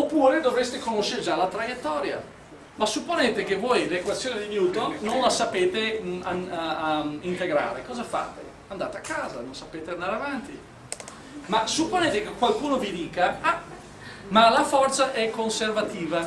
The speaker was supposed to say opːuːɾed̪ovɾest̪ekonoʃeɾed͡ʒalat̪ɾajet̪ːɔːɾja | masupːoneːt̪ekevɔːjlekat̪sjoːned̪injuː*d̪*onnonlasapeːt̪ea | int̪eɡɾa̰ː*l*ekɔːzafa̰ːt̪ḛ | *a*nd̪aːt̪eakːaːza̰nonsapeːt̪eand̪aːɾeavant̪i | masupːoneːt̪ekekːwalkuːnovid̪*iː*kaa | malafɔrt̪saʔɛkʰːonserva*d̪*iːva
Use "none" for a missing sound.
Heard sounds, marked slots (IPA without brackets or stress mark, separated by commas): t̪, ɾ, a, iː, t̪